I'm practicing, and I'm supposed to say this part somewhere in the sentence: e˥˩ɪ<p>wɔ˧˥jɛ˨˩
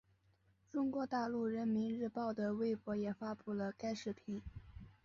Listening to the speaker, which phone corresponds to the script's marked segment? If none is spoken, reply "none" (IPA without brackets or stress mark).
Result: p